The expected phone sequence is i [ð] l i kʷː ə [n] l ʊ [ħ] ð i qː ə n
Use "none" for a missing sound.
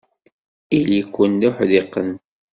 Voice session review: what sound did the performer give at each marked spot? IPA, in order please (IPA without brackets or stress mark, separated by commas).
none, n, ħ